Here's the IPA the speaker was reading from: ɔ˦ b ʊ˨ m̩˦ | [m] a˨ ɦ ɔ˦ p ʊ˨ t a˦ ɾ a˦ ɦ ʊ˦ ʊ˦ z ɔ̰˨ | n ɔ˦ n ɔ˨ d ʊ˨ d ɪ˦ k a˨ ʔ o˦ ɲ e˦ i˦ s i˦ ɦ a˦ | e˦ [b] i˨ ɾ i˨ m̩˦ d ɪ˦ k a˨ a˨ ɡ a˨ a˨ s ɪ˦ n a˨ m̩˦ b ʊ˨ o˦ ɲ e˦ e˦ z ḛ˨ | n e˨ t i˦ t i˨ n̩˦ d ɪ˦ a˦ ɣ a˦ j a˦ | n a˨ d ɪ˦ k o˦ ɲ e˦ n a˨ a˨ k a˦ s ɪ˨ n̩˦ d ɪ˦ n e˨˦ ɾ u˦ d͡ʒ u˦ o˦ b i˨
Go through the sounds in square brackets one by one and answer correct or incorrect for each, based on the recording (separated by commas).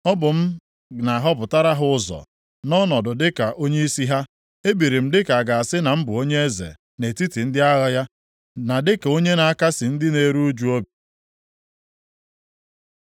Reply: incorrect, correct